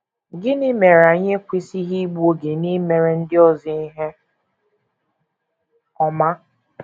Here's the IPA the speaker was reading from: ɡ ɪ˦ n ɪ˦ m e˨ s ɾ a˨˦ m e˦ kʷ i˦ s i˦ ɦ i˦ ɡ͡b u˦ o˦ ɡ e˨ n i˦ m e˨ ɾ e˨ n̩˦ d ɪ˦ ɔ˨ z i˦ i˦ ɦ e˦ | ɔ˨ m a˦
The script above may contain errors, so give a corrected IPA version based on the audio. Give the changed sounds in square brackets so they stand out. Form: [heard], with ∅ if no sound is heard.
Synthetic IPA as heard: ɡ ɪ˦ n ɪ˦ m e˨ [∅] ɾ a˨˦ [ɲ] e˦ kʷ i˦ s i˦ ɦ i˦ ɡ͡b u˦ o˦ ɡ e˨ n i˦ m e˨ ɾ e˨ n̩˦ d ɪ˦ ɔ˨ z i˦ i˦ ɦ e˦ | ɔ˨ m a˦